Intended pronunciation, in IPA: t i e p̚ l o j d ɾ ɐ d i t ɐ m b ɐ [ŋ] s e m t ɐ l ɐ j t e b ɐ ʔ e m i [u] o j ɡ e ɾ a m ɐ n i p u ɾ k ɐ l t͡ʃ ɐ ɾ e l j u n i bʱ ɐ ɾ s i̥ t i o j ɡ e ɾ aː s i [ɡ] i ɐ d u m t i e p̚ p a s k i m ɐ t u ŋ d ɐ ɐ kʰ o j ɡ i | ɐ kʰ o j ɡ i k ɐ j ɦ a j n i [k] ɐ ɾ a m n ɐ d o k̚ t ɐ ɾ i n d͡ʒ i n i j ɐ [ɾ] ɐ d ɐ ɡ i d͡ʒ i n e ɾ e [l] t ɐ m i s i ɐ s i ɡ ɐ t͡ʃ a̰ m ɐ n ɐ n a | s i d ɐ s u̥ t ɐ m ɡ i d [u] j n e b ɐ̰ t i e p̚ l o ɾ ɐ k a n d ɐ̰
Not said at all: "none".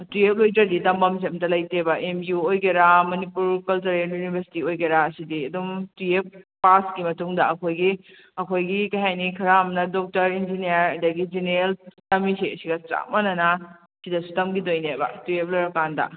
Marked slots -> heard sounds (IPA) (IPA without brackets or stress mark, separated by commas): m, u, d, kʰ, ɾ, l, o